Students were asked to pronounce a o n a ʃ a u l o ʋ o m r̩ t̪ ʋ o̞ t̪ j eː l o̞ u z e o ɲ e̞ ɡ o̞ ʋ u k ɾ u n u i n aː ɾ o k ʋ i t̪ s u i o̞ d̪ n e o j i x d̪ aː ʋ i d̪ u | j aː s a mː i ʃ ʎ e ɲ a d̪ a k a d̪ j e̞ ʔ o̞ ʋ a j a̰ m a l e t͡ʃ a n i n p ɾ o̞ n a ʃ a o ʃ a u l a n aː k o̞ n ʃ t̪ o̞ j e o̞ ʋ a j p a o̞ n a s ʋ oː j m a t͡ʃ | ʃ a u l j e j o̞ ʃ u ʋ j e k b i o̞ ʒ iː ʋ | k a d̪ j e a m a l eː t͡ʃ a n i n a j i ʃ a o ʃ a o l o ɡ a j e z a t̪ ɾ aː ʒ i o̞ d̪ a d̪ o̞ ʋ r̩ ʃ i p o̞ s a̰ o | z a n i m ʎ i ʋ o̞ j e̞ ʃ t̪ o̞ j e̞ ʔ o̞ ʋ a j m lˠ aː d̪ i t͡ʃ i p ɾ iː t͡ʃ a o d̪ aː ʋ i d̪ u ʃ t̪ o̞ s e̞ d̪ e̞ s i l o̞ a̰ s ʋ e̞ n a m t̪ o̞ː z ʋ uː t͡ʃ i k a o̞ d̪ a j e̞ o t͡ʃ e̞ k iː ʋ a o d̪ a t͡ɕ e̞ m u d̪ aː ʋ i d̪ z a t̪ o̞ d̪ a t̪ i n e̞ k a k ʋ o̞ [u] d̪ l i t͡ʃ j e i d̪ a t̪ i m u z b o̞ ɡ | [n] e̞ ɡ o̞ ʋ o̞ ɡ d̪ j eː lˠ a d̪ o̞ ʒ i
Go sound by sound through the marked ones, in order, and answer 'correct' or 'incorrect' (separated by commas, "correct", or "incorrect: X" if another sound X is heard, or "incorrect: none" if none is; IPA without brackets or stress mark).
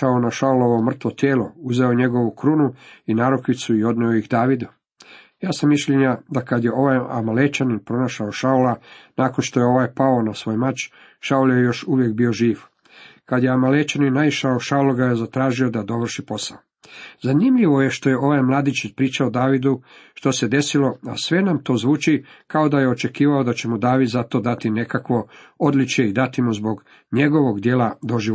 incorrect: o, incorrect: ɲ